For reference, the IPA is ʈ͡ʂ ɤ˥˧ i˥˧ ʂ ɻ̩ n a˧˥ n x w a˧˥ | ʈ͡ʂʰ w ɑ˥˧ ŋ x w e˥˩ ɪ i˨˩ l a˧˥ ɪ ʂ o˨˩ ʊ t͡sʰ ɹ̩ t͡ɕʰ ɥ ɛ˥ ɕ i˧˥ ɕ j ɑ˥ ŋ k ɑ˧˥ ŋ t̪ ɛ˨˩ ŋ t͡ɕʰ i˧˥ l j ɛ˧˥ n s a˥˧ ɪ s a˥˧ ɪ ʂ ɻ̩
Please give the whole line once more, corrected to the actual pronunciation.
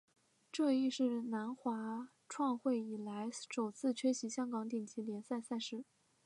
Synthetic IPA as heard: ʈ͡ʂ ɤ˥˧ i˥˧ ʂ ɻ̩ n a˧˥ n x w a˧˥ | ʈ͡ʂʰ w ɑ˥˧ ŋ x w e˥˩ ɪ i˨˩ l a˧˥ ɪ ʂ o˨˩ ʊ t͡sʰ ɹ̩ t͡ɕʰ ɥ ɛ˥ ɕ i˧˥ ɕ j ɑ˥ ŋ k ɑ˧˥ ŋ t̪ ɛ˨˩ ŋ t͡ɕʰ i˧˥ l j ɛ˧˥ n s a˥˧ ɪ s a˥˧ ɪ ʂ ɻ̩